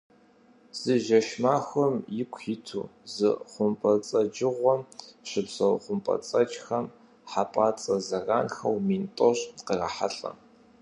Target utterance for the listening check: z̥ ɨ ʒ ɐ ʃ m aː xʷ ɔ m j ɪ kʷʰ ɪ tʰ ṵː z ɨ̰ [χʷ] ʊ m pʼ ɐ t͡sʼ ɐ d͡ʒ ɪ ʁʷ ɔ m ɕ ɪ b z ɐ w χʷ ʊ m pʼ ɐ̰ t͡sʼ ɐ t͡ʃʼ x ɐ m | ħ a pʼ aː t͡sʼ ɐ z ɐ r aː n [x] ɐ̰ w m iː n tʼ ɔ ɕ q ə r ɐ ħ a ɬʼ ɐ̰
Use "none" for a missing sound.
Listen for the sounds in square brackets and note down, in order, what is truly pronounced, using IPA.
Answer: χʷ, x

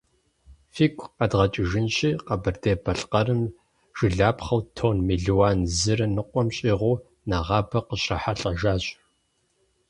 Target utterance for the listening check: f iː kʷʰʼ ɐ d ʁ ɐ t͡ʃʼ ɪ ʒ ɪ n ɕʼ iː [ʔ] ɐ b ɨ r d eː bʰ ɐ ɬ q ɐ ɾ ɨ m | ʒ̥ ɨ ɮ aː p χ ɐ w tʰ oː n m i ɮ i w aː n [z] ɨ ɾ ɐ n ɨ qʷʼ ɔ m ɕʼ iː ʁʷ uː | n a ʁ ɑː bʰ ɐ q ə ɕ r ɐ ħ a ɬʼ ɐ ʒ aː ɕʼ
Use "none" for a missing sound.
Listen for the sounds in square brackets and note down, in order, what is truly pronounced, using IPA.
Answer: q, z

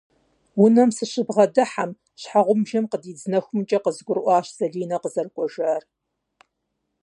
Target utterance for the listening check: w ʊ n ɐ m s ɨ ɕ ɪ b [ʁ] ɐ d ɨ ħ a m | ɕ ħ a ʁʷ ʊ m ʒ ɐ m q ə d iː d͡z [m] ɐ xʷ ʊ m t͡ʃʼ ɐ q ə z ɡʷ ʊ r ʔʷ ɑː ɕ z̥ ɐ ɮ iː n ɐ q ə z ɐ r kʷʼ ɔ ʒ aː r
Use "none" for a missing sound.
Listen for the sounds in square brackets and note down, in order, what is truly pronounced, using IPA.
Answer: ʁ, n

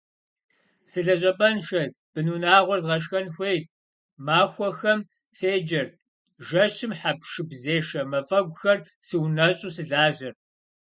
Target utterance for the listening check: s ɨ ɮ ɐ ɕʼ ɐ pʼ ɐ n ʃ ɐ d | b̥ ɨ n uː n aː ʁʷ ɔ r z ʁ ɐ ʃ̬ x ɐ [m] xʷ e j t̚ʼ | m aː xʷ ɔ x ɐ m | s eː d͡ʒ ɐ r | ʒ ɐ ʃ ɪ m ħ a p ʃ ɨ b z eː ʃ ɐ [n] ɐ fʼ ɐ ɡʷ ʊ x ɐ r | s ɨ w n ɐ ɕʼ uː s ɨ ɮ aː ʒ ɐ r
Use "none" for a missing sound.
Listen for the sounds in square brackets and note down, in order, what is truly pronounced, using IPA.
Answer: n, m

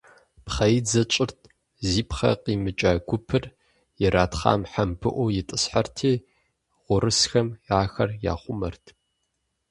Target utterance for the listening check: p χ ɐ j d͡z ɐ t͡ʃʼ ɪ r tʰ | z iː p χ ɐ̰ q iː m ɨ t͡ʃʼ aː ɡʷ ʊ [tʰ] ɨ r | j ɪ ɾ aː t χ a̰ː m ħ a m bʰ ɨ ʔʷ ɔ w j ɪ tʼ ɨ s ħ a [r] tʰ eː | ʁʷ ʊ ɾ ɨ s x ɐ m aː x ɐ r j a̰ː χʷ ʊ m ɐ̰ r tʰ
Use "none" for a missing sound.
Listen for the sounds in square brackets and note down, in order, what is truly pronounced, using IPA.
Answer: pʰ, r

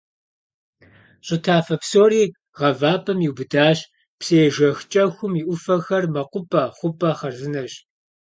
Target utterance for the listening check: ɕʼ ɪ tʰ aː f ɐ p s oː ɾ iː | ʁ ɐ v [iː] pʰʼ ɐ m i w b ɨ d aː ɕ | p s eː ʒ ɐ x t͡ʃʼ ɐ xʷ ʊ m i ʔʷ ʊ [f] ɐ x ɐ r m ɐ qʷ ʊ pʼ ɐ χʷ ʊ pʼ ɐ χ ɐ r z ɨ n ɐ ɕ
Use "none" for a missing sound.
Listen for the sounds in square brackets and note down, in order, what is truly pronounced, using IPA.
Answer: aː, f

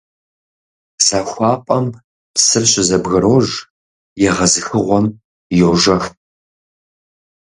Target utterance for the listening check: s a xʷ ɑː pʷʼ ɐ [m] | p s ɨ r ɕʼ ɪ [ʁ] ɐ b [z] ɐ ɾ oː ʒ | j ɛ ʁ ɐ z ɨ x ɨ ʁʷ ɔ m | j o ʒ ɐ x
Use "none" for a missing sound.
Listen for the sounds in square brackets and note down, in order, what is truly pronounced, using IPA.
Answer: m, z, ɣ

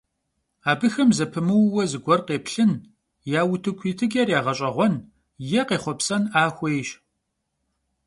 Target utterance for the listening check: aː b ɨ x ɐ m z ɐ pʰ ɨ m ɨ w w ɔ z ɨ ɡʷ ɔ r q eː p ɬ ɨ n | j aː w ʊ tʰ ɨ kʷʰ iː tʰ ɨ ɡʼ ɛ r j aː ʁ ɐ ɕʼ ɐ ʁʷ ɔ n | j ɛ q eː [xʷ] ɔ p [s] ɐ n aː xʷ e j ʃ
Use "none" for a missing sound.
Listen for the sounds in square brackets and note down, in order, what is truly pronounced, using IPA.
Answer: χʷ, s

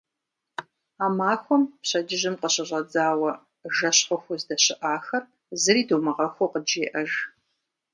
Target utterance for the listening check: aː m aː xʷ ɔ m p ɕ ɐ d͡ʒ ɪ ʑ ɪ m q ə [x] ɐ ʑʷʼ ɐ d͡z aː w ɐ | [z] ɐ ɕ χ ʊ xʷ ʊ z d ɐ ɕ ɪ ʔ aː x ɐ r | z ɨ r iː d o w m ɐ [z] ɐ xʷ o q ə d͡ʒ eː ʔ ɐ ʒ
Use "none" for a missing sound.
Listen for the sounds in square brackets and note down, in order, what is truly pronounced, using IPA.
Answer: ɕ, ʒ, ʁ

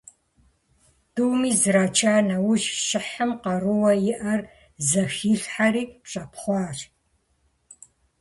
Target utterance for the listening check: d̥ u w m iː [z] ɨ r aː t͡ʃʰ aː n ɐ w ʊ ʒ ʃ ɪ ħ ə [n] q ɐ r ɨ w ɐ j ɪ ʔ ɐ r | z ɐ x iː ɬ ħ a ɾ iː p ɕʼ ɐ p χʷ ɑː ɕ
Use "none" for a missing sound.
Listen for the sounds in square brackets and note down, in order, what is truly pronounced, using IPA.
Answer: z, m

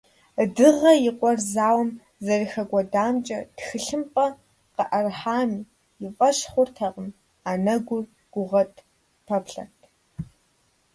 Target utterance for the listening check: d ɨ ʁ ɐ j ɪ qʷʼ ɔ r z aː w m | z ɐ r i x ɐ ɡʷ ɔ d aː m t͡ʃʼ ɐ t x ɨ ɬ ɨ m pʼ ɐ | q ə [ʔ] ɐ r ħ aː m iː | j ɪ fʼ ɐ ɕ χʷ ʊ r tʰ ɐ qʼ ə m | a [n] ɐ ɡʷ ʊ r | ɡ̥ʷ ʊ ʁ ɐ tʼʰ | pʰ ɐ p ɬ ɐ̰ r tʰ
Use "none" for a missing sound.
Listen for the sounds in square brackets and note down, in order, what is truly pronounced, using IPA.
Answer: ʔ, n

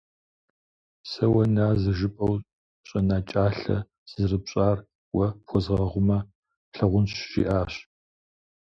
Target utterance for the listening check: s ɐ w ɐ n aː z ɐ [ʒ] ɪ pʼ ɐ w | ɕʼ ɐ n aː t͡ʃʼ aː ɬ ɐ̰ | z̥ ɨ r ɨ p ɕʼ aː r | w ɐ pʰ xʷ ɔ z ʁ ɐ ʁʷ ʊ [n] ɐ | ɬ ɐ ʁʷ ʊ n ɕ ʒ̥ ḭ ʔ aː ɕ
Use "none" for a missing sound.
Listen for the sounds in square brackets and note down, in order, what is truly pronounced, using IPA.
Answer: ʒ, m

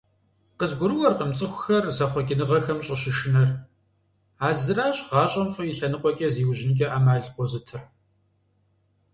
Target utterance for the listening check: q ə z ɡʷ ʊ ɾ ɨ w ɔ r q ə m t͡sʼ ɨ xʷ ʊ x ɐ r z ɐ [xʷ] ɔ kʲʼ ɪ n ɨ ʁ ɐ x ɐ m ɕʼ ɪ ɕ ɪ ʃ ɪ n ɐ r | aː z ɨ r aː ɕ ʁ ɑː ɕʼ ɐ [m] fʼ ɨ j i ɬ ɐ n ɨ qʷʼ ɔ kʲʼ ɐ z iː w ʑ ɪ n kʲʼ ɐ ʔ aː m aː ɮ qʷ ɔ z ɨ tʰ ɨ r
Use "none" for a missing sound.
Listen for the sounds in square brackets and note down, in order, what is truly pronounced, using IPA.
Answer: χʷ, m

